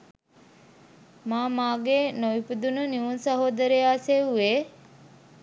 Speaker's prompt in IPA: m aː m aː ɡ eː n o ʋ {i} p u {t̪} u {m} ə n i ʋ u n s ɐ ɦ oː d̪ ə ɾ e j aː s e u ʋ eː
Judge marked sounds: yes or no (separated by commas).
yes, no, no